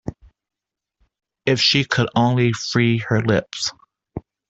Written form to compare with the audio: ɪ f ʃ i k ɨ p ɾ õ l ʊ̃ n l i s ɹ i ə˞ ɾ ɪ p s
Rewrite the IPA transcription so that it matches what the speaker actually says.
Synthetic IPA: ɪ f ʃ i kʰ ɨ ɾ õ ʊ̃ n l i f ɹ i ə˞ l ɪ p s